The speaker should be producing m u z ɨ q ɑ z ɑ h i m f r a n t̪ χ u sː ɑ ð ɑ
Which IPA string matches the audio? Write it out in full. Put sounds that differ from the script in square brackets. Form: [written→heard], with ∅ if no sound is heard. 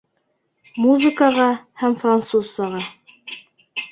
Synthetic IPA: m u z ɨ [q→k] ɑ [z→ʁ] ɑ h [i→æ] m f r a n t̪ [χ→s] u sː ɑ [ð→ʁ] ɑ